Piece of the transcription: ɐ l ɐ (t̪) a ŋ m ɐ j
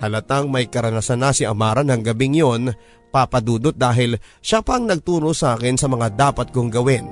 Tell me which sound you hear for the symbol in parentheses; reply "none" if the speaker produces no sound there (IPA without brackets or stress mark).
t̪